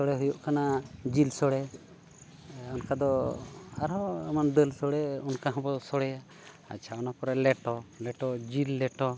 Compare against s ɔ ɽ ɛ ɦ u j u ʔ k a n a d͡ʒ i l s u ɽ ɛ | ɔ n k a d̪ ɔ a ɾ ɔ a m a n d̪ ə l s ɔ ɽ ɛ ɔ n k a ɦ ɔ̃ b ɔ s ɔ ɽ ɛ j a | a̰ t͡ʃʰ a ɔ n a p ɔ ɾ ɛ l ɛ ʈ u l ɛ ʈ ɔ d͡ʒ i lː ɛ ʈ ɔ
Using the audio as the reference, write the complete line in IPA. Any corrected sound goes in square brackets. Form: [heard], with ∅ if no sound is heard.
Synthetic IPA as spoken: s ɔ ɽ ɛ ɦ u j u ʔ k a n a d͡ʒ i l s [ɔ] ɽ ɛ | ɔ n k a d̪ ɔ a ɾ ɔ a m a n d̪ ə l s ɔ ɽ ɛ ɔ n k a ɦ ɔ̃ b ɔ s ɔ ɽ ɛ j a | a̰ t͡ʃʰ a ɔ n a p ɔ ɾ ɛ l ɛ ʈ [ɔ] l ɛ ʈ ɔ d͡ʒ i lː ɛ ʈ ɔ